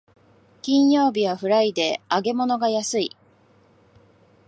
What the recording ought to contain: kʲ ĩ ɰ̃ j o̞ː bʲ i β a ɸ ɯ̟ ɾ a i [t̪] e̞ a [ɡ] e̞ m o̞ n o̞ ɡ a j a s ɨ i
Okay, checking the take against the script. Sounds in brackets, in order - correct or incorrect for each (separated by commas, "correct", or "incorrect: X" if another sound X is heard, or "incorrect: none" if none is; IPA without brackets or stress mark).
incorrect: d̪, correct